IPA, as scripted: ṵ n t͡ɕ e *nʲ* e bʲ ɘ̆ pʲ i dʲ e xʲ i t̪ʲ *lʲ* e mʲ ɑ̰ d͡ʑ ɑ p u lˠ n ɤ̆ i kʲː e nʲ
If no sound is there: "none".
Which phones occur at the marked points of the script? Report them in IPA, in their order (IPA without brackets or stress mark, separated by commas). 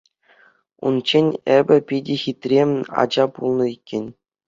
nʲ, rʲ